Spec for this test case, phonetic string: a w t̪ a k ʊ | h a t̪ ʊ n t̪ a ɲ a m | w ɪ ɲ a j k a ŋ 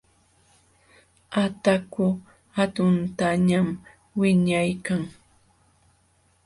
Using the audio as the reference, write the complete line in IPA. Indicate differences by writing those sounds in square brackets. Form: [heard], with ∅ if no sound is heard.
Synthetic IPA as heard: a [∅] t̪ a k ʊ | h a t̪ ʊ n t̪ a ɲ a m | w ɪ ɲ a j k a ŋ